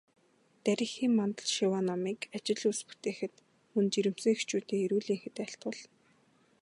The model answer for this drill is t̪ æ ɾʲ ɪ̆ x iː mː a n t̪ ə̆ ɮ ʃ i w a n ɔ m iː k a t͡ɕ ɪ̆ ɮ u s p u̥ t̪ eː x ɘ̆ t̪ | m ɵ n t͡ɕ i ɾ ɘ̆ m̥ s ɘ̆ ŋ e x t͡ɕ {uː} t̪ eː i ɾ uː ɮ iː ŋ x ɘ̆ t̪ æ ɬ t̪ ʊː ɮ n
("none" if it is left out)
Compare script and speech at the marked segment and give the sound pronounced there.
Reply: uː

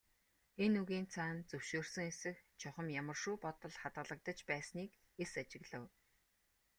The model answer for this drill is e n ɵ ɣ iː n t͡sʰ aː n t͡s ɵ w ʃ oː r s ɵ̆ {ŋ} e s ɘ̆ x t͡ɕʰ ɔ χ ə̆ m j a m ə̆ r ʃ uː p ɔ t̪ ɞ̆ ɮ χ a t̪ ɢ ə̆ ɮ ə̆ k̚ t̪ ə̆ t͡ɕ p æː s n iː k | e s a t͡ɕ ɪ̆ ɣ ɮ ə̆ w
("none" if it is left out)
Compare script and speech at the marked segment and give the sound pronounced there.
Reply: ŋ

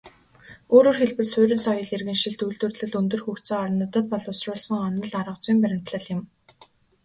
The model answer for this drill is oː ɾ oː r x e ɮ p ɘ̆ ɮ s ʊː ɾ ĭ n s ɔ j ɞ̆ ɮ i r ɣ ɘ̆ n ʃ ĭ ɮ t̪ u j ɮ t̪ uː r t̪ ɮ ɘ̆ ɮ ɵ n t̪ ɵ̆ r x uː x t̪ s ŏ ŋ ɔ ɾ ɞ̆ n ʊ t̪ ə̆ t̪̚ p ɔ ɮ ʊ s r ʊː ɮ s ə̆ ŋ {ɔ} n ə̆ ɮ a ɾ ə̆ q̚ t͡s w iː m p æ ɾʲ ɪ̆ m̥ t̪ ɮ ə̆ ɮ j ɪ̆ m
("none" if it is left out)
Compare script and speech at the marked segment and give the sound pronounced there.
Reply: ɔ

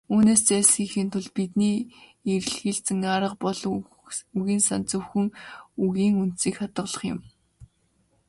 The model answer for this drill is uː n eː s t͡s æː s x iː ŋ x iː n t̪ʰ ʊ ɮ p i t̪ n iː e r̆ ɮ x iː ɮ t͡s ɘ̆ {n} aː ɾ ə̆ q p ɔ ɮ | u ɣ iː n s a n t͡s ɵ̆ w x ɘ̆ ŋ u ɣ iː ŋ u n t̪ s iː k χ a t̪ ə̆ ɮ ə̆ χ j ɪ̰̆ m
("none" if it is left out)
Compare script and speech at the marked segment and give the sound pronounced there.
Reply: ŋ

